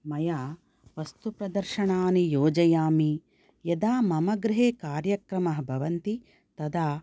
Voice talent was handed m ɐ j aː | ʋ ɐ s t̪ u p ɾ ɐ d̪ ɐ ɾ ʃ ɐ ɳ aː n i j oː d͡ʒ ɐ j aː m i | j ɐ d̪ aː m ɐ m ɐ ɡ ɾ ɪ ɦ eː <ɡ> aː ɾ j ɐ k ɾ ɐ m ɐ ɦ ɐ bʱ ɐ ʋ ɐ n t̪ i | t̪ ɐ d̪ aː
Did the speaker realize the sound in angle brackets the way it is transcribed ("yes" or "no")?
no